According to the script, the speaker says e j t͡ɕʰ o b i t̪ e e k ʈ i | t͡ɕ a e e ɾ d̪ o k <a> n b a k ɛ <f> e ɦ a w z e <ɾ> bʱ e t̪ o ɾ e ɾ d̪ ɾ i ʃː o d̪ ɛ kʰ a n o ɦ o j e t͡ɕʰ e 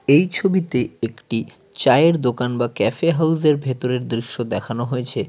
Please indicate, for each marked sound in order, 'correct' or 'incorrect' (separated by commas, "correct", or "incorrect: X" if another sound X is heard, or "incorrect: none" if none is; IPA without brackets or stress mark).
correct, correct, correct